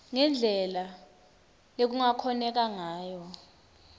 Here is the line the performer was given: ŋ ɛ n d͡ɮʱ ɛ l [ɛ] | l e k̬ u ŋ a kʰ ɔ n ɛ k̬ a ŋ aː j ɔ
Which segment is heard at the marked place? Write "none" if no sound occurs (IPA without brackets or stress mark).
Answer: a